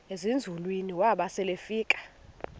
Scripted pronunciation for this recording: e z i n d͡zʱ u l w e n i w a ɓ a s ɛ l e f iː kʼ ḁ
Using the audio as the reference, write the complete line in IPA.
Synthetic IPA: e z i n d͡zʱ u l w i n i w a ɓ a s ɛ l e f iː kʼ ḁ

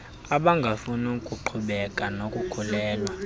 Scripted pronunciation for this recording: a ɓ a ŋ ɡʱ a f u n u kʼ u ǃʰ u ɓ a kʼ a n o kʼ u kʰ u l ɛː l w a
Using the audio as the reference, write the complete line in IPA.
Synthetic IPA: a ɓ a ŋ ɡʱ a f u n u kʼ u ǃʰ u ɓ ɛ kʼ a n o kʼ u kʰ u l ɛː l w a

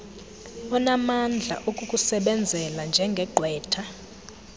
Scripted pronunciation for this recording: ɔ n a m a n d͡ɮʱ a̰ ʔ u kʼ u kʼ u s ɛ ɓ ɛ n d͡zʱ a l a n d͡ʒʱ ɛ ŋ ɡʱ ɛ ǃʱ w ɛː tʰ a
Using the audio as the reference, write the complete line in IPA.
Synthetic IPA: ɔ n a m a n d͡ɮʱ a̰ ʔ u kʼ u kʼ u s ɛ ɓ ɛ n d͡zʱ ɛ l a n d͡ʒʱ ɛ ŋ ɡʱ ɛ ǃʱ w ɛː tʰ a

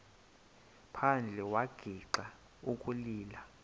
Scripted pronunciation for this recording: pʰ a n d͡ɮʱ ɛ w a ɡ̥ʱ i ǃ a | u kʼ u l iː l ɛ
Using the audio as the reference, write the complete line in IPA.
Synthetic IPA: pʰ a n d͡ɮʱ ɛ w a ɡ̥ʱ i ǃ a | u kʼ u l iː l a

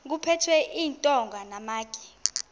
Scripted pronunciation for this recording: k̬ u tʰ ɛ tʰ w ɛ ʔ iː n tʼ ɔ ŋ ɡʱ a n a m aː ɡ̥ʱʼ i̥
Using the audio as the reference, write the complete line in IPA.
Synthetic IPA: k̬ u pʰ ɛ tʰ w ɛ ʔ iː n tʼ ɔ ŋ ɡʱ a n a m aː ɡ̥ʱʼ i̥

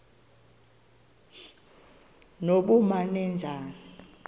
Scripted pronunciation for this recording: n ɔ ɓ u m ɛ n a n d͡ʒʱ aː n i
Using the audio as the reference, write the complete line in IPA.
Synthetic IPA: n o ɓ u m a n ɛ n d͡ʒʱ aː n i

